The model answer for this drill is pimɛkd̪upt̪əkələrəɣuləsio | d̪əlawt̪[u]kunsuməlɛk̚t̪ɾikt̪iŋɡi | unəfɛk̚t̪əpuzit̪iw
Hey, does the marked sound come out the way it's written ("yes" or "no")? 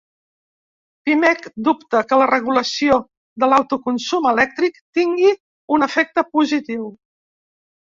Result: yes